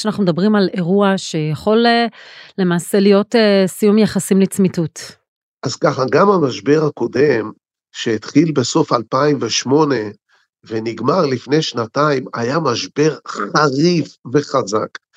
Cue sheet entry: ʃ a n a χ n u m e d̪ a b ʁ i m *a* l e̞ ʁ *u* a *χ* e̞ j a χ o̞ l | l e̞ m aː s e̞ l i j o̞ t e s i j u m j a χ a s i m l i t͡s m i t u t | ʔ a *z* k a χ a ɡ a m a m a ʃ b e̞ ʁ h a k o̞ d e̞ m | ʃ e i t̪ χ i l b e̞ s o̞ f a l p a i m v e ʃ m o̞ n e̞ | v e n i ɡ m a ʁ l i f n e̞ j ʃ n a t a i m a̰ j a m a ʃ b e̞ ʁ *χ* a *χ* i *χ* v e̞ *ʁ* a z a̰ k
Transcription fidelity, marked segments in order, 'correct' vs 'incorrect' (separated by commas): correct, correct, incorrect, correct, correct, incorrect, incorrect, incorrect